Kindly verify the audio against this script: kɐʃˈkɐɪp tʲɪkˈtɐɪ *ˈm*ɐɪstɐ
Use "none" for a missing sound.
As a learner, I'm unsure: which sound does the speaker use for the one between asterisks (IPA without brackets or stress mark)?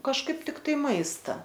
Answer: m